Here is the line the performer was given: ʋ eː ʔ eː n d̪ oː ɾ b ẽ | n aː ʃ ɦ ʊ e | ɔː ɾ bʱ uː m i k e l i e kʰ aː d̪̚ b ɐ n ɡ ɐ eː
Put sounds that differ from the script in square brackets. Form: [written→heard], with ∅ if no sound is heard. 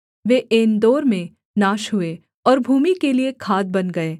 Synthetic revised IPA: ʋ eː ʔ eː n d̪ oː ɾ [b→m] ẽ | n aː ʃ ɦ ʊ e | ɔː ɾ bʱ uː m i k e l i e kʰ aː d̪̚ b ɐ n ɡ ɐ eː